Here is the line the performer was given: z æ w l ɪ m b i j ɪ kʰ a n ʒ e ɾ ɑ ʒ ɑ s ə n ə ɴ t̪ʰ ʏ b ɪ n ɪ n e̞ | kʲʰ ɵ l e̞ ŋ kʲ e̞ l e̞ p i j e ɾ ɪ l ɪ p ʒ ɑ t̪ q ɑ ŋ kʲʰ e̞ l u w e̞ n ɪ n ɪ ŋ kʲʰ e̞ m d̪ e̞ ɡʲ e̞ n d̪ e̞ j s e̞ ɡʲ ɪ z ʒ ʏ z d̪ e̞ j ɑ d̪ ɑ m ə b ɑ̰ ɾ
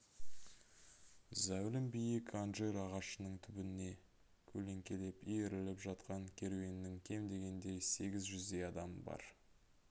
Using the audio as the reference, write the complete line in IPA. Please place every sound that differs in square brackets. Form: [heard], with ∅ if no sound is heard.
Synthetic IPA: z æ w l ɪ m b i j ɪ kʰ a n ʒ e ɾ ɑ [ʁ] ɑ [ʃ] ə n ə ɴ t̪ʰ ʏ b ɪ n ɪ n e̞ | kʲʰ ɵ l e̞ ŋ kʲ e̞ l e̞ p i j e ɾ ɪ l ɪ p ʒ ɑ t̪ q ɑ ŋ kʲʰ e̞ [ɾ] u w e̞ n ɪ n ɪ ŋ kʲʰ e̞ m d̪ e̞ ɡʲ e̞ n d̪ e̞ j s e̞ ɡʲ ɪ z ʒ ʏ z d̪ e̞ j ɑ d̪ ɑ m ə b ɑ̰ ɾ